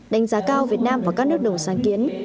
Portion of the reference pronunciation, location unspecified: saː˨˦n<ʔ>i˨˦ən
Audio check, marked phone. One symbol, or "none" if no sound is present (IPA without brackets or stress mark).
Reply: k